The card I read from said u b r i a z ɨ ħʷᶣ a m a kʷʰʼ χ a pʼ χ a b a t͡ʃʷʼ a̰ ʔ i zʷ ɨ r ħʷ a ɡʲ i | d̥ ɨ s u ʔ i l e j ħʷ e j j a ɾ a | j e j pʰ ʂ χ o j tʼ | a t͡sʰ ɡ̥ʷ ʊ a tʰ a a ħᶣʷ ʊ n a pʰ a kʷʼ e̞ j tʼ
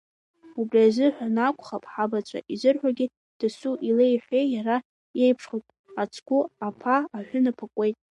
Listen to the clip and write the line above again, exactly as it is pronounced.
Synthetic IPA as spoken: u b r i a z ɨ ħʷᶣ a n a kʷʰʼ χ a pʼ ħ a b a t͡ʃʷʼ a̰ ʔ i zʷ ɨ r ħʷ a ɡʲ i | d̥ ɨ s u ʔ i l e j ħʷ e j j a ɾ a | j e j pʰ ʂ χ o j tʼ | a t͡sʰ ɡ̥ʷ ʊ a pʰ a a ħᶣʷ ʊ n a pʰ a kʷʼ e̞ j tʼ